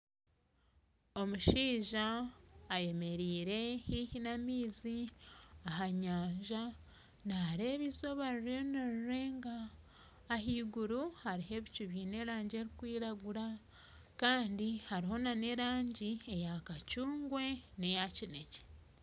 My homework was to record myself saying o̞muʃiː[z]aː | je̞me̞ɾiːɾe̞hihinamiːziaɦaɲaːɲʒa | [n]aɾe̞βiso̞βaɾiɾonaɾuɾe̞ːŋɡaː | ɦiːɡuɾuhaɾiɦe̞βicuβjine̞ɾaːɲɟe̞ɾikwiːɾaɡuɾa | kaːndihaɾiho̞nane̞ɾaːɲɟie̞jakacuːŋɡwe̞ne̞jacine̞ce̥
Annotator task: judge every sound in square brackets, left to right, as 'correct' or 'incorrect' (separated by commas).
incorrect, correct